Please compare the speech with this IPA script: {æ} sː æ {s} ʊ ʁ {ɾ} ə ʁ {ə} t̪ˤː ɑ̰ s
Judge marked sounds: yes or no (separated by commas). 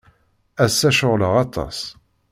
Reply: yes, no, no, no